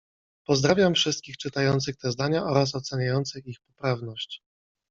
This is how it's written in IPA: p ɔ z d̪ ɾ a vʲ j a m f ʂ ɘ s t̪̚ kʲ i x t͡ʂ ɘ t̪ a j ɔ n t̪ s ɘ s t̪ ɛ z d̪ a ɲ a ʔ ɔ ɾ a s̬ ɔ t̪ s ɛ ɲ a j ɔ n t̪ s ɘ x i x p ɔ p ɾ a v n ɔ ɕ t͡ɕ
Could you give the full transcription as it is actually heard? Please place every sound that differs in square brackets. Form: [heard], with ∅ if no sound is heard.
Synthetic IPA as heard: p ɔ z d̪ ɾ a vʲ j a m f ʂ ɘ s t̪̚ kʲ i x t͡ʂ ɘ t̪ a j ɔ n t̪ s ɘ [x] t̪ ɛ z d̪ a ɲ a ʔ ɔ ɾ a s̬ ɔ t̪ s ɛ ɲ a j ɔ n t̪ s ɘ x i x p ɔ p ɾ a v n ɔ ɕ t͡ɕ